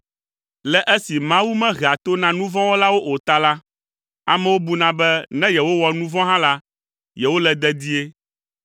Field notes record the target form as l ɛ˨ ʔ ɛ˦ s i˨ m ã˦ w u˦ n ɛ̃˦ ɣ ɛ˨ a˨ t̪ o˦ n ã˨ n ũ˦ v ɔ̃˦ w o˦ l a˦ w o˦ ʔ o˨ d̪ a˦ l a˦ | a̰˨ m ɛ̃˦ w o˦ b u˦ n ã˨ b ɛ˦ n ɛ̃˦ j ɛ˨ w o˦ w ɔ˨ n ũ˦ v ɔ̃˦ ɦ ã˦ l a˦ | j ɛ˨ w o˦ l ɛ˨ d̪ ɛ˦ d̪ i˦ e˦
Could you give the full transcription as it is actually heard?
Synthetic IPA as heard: l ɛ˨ ʔ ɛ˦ s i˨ m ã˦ w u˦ m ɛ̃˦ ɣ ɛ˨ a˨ t̪ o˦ n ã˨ n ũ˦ v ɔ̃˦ w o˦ l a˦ w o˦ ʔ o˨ t̪ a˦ l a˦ | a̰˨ m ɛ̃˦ w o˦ b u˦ n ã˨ b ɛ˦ n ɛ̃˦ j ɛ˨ w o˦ w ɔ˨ n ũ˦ v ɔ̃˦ ɦ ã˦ l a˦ | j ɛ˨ w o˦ l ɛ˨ d̪ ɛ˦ d̪ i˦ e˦